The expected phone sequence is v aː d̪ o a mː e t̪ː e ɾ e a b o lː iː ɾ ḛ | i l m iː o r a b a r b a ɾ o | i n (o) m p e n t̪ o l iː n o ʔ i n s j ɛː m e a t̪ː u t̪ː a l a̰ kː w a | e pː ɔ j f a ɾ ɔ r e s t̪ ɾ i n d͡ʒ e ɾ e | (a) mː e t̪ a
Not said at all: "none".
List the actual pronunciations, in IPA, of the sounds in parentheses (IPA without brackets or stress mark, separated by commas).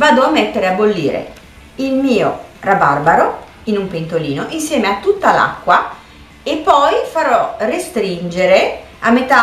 u, a